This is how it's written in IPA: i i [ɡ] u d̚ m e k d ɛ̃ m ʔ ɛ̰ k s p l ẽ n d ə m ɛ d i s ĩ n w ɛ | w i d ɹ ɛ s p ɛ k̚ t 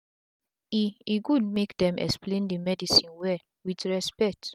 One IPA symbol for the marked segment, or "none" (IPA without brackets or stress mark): ɡ